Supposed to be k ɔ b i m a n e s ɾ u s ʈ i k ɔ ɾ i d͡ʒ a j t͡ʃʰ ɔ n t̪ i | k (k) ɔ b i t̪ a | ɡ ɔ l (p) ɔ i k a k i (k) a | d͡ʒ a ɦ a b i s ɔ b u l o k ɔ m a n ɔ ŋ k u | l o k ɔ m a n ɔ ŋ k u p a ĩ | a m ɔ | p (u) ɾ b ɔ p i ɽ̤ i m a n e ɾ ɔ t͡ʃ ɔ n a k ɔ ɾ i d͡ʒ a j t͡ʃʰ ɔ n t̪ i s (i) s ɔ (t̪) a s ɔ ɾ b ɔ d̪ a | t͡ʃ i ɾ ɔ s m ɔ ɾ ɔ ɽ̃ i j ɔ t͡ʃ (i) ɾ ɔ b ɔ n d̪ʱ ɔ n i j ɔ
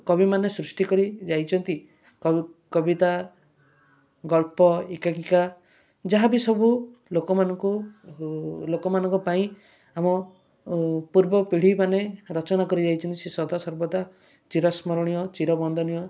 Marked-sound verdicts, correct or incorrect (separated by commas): correct, correct, correct, correct, incorrect, incorrect, correct